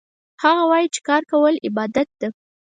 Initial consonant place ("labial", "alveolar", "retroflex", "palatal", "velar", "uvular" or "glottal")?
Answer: glottal